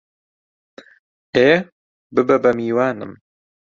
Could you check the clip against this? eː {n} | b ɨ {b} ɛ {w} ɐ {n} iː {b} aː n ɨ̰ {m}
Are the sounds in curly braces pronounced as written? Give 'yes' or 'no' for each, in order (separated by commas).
no, yes, no, no, no, yes